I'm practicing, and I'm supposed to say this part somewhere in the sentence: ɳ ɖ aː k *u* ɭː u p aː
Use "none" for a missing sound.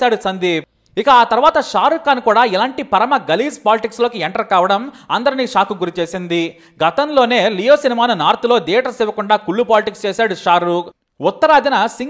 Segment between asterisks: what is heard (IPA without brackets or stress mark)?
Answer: u